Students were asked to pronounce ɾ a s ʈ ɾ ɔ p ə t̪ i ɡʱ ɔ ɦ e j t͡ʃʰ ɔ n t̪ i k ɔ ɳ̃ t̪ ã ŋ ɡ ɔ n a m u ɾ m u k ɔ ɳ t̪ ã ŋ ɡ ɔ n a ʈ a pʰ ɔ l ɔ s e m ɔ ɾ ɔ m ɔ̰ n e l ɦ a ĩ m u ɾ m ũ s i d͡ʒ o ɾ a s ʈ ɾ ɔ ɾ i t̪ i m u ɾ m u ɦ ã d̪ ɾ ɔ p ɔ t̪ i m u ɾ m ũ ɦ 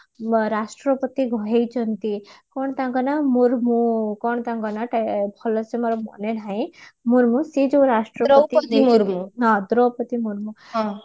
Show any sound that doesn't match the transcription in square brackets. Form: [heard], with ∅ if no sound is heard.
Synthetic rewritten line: ɾ a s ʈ ɾ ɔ p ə t̪ i ɡʱ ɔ ɦ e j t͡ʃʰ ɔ n t̪ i k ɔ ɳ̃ t̪ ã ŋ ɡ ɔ n a m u ɾ m u k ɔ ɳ t̪ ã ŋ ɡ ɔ n a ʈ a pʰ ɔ l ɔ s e m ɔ ɾ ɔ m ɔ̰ n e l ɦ a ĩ m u ɾ m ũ s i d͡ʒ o ɾ a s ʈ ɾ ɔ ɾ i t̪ i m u ɾ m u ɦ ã d̪ ɾ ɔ p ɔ t̪ i m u ɾ m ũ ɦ